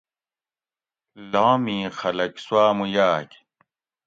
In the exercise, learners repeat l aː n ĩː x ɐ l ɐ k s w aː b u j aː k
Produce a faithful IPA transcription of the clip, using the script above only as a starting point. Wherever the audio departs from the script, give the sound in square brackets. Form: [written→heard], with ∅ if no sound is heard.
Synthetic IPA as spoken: l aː [n→m] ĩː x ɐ l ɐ k s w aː [b→m] u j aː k